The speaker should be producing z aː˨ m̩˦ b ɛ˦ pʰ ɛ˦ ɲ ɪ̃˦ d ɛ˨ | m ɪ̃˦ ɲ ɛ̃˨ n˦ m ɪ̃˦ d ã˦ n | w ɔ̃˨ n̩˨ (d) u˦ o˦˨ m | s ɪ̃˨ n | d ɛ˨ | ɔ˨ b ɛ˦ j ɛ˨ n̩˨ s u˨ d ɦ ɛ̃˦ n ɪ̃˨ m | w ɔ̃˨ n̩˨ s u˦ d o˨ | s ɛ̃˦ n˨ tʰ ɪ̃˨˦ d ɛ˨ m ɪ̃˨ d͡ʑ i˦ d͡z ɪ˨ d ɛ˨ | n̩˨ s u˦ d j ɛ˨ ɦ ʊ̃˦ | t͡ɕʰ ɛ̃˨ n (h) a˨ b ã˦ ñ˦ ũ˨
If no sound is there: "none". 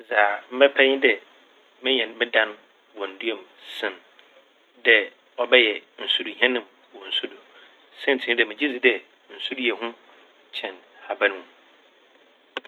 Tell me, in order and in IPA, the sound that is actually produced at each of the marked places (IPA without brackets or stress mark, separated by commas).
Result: d, h